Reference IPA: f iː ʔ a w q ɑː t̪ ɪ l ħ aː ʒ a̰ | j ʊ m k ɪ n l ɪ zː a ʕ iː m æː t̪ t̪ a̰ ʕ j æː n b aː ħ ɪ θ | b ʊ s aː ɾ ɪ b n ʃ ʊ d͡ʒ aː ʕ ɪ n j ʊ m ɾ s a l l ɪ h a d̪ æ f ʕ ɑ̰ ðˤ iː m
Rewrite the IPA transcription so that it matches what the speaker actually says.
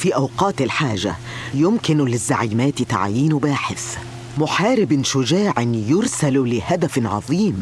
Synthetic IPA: f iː ʔ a w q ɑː t̪ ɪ l ħ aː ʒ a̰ | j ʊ m k ɪ n l ɪ zː a ʕ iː m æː t̪ t̪ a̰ ʕ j iː n b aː ħ ɪ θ | m ʊ ħ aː ɾ ɪ b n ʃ ʊ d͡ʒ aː ʕ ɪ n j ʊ ɾ s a l l ɪ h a d̪ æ f ʕ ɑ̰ ðˤ iː m

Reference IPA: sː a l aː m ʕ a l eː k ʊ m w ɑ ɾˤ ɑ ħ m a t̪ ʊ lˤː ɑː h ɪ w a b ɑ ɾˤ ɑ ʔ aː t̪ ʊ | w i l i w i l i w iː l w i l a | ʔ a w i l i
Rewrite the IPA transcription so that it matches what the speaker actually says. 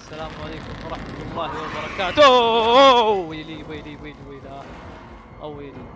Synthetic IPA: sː a l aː m ʕ a l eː k ʊ m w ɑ ɾˤ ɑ ħ m a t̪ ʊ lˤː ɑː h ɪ w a b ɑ ɾˤ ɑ k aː t̪ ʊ | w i l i w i l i w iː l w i l a | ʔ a w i l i

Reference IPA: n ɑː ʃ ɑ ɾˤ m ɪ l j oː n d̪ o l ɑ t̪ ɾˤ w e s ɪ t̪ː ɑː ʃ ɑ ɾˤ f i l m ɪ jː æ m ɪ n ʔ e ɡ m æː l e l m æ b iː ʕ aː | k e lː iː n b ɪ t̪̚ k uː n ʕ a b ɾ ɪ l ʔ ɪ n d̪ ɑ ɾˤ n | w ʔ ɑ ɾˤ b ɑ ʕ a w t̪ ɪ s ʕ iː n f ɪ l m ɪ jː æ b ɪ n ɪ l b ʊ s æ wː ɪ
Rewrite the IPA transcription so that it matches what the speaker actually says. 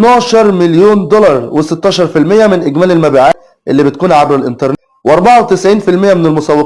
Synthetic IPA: n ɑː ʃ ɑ ɾˤ m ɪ l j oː n d̪ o l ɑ ɾˤ w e s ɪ t̪ː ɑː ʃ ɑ ɾˤ f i l m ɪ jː æ m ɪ n ʔ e ɡ m æː l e l m æ b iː ʕ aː | ʔ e lː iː b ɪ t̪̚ k uː n ʕ a b ɾ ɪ l ʔ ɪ n t̪ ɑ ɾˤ n | w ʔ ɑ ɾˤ b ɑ ʕ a w t̪ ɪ s ʕ iː n f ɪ l m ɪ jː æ m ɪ n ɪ l m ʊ s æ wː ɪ

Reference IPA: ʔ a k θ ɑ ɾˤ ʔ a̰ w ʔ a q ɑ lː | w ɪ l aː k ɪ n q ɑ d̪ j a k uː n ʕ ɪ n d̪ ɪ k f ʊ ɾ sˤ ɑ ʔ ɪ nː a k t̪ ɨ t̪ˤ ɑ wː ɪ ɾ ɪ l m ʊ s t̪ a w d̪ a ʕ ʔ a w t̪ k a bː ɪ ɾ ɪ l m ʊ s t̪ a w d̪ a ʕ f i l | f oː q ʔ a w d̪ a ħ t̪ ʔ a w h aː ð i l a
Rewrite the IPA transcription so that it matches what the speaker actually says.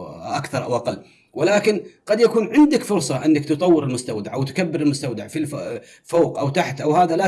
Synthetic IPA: ʔ a k θ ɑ ɾˤ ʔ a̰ w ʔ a q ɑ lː | w ɪ l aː k ɪ n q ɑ d̪ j a k uː n ʕ ɪ n d̪ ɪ k f ʊ ɾ sˤ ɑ ʔ ɪ nː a k t̪ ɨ t̪ˤ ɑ wː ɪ ɾ ɪ l m ʊ s t̪ a w d̪ a ʕ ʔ a w t̪ k a bː ɪ ɾ ɪ l m ʊ s t̪ a w d̪ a ʕ f i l | f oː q ʔ a w t̪ a ħ t̪ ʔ a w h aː ð a l a

